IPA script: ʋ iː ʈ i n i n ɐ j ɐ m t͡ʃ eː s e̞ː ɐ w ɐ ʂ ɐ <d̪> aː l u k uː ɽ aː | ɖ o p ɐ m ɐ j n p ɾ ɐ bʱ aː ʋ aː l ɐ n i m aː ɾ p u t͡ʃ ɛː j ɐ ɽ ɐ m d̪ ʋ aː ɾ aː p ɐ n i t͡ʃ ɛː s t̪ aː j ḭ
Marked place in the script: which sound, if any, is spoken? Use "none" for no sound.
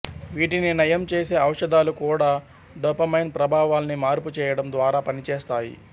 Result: d̪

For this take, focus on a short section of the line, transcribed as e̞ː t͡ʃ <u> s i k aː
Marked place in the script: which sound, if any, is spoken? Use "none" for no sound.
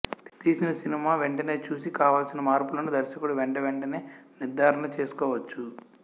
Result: uː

